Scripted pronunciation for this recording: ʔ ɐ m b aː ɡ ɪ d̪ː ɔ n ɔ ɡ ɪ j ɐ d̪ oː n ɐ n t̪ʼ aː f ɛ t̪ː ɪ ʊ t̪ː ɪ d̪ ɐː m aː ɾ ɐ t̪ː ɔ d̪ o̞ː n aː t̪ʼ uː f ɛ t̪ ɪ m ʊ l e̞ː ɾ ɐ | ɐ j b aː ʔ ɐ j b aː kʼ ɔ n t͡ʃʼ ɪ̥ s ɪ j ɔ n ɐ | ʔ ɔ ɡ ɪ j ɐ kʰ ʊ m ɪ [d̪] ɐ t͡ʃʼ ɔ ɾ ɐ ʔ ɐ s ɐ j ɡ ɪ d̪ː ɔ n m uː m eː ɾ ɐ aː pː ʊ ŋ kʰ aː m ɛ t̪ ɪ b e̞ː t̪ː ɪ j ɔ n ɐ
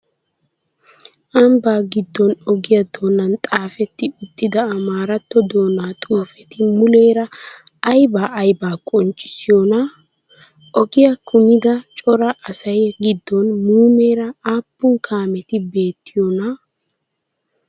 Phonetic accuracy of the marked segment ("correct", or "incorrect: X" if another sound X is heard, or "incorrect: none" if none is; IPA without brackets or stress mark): correct